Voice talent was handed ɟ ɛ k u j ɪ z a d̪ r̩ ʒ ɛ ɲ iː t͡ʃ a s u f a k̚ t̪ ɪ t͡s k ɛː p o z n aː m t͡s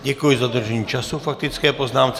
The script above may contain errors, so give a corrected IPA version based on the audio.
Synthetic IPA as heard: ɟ ɛ k u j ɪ z a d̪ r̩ ʒ ɛ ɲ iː t͡ʃ a s u f a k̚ t̪ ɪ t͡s k ɛː p o z n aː m t͡s